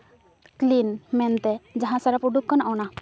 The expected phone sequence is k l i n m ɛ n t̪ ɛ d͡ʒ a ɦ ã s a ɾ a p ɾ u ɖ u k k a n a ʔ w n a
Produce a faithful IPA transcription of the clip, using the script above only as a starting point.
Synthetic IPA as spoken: k l i n m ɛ n t̪ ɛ d͡ʒ a ɦ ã s a ɾ a p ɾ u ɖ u k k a n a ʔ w n a